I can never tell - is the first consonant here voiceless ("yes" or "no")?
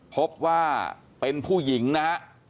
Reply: yes